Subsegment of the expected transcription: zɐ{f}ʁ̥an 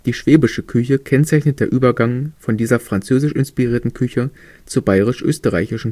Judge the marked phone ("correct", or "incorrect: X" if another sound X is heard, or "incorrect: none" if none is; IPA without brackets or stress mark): correct